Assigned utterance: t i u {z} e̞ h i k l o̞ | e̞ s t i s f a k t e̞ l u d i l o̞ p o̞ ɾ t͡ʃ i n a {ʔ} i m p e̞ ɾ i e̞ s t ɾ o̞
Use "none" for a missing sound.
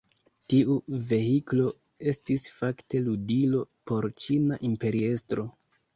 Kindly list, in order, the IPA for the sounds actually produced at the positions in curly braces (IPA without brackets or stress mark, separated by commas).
v, ʔ